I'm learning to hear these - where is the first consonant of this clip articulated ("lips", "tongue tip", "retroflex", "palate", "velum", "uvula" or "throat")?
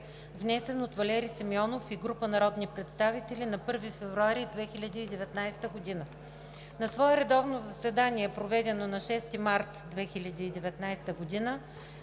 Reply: lips